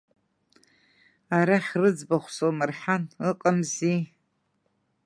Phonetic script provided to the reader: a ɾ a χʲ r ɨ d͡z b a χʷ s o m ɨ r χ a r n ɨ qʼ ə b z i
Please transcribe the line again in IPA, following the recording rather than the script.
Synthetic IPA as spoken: a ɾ a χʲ r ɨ d͡z b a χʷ s o m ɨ r ħ a n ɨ qʼ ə m z i

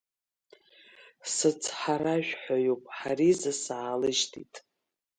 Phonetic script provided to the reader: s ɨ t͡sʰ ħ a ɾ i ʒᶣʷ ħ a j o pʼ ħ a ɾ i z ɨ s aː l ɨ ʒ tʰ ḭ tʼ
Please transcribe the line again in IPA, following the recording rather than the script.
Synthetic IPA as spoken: s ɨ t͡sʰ ħ a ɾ a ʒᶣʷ ħ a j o pʼ ħ a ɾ i z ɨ s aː l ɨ ʒ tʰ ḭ tʼ

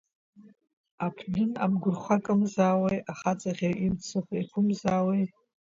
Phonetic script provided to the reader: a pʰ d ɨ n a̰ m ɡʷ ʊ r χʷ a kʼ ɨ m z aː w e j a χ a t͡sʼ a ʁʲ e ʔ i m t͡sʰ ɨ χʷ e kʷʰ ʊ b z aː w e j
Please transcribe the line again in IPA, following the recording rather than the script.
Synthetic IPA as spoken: a pʰ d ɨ n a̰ m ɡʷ ʊ r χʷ a kʼ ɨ m z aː w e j a χ a t͡sʼ a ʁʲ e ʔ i m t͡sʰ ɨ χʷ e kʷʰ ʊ m z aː w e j

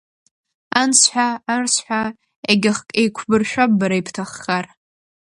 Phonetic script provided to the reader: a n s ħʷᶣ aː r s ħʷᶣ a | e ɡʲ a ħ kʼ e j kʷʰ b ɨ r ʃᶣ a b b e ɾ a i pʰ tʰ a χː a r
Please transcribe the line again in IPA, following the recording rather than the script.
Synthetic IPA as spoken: a n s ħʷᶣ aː r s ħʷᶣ a | e ɡʲ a χ kʼ e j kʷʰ b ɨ r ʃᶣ a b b a ɾ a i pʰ tʰ a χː a r

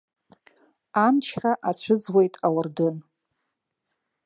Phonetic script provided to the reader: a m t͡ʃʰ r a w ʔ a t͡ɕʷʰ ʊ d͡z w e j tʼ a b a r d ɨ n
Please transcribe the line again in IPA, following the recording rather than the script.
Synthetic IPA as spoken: a m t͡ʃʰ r a ʔ a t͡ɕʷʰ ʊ d͡z w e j tʼ a w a r d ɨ n

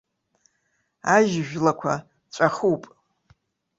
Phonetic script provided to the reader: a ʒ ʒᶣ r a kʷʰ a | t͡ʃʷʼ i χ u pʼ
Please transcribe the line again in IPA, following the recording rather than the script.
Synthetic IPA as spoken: a ʒ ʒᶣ l a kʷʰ a | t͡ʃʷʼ a χ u pʼ

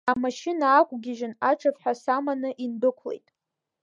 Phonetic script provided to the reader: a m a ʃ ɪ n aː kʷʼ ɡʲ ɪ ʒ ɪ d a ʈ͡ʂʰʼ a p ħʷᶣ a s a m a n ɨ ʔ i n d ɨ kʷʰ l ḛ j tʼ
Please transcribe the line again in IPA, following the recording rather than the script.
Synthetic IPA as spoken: a m a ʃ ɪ n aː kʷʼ ɡʲ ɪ ʒ ɪ n a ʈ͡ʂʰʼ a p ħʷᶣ a s a m a n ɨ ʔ i n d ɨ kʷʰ l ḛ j tʼ

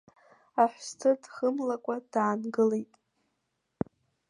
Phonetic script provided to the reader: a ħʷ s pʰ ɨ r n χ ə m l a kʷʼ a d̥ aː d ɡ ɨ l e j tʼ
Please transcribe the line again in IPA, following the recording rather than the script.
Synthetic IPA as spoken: a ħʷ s tʰ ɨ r d χ ə m l a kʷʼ a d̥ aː n ɡ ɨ l e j tʼ

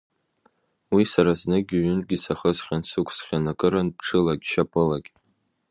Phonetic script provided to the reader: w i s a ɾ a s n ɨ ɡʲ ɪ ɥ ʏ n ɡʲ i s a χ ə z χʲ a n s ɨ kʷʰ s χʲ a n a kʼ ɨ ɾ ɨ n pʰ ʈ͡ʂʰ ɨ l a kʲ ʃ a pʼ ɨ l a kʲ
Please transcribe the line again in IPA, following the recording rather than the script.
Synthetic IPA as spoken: w i s a ɾ a z n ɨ ɡʲ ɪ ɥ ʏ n ɡʲ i s a χ ə z χʲ a n s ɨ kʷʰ s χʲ a n a kʼ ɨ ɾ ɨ n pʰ ʈ͡ʂʰ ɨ l a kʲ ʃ a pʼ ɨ l a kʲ

